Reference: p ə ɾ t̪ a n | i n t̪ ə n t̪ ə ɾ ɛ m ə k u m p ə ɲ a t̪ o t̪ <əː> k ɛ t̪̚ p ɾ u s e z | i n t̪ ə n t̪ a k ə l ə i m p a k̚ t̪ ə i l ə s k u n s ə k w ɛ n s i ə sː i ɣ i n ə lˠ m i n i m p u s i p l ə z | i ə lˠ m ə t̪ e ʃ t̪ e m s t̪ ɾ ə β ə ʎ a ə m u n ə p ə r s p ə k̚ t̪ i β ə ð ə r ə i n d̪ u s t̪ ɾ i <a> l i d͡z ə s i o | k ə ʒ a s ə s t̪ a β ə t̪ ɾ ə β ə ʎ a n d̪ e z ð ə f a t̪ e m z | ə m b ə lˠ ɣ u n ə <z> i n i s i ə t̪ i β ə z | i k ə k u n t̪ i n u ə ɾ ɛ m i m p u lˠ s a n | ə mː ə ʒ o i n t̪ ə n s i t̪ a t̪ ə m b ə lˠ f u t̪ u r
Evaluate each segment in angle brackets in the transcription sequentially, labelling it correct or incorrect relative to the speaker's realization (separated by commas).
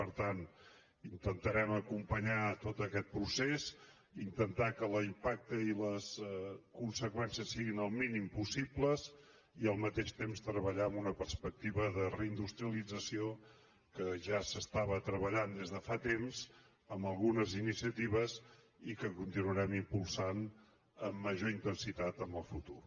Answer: incorrect, incorrect, correct